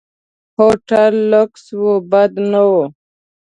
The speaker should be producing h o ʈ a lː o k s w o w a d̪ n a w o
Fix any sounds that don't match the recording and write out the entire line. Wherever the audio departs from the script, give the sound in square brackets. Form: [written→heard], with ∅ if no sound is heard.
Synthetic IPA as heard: h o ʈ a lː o k s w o [w→b] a d̪ n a w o